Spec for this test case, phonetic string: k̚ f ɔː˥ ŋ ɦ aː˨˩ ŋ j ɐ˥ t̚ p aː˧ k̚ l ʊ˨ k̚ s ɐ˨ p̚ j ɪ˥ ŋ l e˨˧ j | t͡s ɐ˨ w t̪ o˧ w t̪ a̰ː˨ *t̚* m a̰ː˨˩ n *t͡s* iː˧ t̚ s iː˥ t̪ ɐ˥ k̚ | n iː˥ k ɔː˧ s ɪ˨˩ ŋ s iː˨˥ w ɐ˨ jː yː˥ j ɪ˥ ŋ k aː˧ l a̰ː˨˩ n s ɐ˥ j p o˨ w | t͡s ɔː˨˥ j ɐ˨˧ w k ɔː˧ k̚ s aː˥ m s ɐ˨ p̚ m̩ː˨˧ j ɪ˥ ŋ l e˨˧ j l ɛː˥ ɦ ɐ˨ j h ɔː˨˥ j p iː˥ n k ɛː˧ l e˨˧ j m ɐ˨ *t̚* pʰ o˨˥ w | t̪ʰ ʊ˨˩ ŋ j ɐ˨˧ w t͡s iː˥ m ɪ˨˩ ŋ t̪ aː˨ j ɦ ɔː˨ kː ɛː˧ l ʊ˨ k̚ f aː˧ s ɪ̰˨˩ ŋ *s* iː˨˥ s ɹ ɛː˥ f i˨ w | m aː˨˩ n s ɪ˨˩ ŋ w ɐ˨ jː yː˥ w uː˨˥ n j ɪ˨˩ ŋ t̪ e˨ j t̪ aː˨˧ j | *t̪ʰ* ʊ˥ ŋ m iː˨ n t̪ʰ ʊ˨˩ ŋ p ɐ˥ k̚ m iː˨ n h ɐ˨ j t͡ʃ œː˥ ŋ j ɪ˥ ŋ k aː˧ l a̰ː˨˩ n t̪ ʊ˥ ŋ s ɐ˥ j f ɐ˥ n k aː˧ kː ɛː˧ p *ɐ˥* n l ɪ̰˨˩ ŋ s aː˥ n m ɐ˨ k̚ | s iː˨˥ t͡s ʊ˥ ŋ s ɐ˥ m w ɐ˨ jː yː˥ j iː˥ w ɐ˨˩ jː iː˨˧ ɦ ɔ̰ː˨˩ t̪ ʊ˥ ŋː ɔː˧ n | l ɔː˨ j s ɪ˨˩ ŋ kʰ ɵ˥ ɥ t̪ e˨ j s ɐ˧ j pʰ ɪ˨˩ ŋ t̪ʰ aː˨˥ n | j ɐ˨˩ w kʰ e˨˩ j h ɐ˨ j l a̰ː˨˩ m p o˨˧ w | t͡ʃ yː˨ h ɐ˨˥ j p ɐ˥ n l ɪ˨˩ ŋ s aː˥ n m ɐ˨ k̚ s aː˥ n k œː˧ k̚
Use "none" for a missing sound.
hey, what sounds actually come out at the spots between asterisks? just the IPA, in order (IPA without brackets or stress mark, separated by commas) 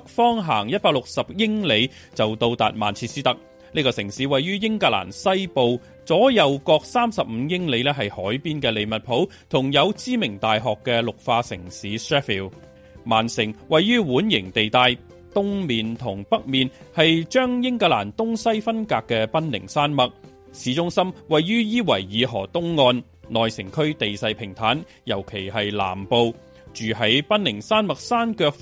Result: t̚, t͡sʰ, t̚, s, t̪, ɐ˥